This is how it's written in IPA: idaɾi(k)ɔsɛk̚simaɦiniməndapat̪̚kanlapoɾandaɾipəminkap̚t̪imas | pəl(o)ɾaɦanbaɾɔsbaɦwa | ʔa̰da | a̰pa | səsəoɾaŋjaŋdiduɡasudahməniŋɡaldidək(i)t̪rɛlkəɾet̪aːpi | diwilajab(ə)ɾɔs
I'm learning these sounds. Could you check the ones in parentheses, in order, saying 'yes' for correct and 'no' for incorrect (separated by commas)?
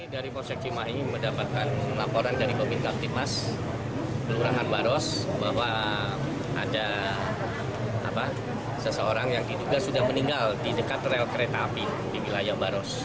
no, no, no, no